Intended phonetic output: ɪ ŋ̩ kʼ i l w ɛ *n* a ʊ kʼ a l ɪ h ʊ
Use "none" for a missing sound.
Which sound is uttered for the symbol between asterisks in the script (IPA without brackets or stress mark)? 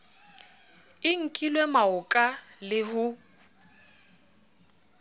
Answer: m